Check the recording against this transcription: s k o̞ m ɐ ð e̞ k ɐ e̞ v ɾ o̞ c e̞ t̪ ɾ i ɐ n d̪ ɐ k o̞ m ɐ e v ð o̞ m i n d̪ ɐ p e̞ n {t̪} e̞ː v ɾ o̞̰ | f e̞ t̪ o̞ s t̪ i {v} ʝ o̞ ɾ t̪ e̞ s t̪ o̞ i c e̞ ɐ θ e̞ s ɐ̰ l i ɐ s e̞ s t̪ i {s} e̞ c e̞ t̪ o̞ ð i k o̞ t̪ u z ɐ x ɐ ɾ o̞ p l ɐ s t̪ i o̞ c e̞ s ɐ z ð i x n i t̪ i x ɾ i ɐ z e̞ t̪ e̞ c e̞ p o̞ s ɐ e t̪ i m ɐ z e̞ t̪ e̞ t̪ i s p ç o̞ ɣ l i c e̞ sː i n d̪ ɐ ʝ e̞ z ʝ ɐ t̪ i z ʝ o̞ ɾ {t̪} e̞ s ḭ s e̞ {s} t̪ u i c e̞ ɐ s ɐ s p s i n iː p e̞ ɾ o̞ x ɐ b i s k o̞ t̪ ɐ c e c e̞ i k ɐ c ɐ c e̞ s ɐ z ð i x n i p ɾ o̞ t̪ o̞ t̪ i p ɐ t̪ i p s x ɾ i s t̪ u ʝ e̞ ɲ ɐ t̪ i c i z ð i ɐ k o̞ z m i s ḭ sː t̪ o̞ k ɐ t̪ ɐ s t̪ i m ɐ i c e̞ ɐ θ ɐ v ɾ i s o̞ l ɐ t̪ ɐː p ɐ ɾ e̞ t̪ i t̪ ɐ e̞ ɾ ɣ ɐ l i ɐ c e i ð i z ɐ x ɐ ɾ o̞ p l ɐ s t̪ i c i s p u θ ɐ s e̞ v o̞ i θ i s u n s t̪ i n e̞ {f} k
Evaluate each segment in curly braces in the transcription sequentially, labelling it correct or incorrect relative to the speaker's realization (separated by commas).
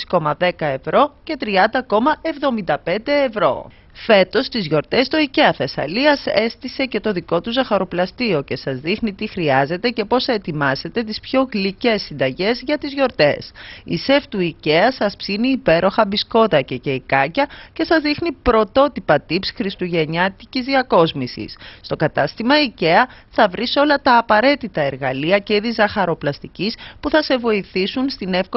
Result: incorrect, incorrect, correct, correct, incorrect, correct